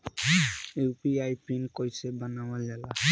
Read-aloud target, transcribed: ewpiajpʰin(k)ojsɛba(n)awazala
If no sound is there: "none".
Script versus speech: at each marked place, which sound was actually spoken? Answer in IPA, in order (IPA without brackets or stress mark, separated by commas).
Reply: k, n